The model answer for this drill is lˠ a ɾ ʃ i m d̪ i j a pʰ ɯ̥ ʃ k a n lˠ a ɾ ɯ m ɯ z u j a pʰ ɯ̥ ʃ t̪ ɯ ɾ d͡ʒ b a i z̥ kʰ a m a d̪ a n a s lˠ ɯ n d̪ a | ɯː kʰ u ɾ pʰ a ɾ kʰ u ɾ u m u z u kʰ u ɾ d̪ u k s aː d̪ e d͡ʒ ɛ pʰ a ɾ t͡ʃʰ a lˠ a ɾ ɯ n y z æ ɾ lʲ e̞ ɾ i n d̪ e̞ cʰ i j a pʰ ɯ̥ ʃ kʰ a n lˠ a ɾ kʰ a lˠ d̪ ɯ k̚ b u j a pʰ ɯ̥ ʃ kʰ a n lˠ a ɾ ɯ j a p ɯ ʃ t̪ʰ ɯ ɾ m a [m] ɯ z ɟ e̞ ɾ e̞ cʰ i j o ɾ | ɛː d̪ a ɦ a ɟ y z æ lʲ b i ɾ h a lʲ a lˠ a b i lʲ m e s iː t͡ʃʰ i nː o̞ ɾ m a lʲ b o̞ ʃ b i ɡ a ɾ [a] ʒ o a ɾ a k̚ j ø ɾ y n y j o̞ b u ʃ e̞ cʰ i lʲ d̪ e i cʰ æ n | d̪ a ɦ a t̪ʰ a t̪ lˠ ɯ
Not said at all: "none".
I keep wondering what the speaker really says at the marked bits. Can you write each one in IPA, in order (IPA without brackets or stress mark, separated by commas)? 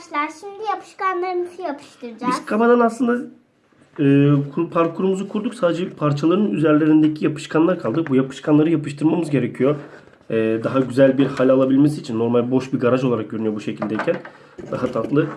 m, a